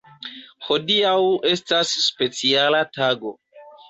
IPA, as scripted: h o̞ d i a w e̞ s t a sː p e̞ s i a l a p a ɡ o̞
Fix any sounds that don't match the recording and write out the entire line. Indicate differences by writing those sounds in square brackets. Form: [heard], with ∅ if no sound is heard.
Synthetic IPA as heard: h o̞ d i a w e̞ s t a sː p e̞ [t͡s] i a l a [t] a ɡ o̞